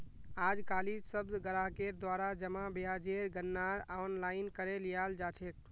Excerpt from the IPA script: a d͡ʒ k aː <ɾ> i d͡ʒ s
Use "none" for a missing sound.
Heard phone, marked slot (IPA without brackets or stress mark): l